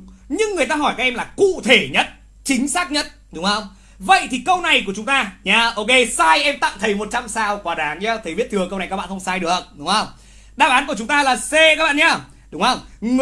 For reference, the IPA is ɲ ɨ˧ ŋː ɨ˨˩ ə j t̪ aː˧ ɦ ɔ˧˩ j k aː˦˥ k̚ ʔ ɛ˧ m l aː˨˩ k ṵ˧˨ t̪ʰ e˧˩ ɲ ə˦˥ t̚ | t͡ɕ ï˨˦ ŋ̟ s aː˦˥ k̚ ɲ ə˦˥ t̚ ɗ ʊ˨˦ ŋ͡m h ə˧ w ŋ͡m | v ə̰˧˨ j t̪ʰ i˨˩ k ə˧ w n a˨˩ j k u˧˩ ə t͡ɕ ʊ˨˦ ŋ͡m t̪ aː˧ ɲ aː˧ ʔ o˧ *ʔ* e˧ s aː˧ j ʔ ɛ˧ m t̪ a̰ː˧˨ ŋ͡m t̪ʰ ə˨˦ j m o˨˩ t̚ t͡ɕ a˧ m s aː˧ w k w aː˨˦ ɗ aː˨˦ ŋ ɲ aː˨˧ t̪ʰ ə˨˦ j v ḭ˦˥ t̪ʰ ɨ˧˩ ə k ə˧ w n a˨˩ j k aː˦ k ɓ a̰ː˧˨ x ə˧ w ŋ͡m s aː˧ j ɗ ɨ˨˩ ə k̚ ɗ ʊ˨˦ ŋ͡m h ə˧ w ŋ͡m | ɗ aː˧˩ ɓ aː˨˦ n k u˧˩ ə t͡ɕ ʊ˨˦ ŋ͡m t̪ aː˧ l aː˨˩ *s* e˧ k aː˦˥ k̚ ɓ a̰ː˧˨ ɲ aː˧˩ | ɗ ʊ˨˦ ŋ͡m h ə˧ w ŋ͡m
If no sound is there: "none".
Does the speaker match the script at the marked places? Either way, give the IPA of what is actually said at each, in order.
k, s

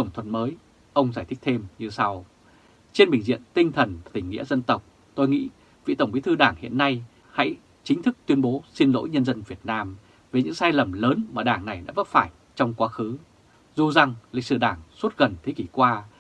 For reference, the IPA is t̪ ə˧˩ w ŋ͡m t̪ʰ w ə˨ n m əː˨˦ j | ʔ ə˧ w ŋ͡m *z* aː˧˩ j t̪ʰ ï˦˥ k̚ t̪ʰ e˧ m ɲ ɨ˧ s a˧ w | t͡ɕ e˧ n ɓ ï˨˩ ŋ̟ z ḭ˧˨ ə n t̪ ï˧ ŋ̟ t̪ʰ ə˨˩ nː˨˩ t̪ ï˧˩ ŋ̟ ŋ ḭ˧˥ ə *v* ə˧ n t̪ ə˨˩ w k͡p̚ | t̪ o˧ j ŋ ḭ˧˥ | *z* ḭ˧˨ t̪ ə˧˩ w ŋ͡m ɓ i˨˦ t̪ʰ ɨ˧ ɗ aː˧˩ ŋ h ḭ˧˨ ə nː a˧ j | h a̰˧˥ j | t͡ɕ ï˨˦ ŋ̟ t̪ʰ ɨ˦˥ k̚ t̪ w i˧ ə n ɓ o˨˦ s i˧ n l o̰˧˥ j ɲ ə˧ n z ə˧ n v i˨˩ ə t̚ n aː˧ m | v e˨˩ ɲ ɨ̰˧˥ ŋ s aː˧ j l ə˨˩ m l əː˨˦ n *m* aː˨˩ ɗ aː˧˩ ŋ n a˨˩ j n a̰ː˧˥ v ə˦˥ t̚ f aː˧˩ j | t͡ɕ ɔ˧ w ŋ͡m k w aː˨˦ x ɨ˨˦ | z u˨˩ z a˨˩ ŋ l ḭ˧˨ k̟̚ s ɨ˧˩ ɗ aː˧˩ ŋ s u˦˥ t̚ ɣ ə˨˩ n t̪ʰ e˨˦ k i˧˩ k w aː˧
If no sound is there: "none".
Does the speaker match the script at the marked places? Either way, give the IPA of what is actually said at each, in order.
z, z, v, m

